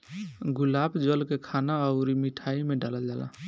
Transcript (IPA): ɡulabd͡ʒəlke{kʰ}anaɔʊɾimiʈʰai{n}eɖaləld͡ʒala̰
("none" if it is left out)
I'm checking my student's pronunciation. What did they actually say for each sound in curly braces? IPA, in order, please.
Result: kʰ, m

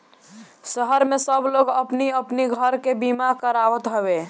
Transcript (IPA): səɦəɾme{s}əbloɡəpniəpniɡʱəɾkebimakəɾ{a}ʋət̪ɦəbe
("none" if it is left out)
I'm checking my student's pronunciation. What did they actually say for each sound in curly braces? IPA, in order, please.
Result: s, a

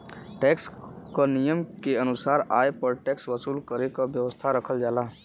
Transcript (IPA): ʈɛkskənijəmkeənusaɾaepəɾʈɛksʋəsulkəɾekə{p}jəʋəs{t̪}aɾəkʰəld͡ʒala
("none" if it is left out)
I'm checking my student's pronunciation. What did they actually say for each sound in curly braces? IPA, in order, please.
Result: b, t̪ʰ

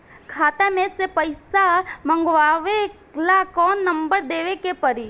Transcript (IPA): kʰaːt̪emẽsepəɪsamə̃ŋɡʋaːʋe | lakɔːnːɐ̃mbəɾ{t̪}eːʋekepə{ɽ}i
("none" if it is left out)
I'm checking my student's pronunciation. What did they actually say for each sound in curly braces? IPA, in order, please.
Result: d̪, ɾ

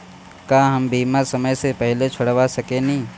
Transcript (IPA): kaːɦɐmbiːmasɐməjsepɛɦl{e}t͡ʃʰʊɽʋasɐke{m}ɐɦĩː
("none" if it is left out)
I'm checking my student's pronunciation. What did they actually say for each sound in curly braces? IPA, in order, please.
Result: e, n

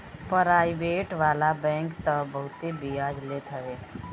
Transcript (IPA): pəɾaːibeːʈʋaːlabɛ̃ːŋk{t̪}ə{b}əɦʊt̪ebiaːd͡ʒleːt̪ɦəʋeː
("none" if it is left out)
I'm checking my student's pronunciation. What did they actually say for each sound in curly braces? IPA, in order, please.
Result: t̪, b

